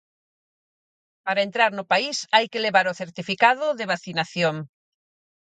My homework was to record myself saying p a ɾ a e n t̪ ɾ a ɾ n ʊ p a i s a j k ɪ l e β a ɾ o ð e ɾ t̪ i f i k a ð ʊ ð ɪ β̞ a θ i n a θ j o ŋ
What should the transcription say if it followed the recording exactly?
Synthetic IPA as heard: p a ɾ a e n t̪ ɾ a ɾ n ʊ p a i s a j k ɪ l e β a ɾ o θ e ɾ t̪ i f i k a ð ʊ ð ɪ β̞ a θ i n a θ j o ŋ